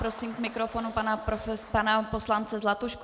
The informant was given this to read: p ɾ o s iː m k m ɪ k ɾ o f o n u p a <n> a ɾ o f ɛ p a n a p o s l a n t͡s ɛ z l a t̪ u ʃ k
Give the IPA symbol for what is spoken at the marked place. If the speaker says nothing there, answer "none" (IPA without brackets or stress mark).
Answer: n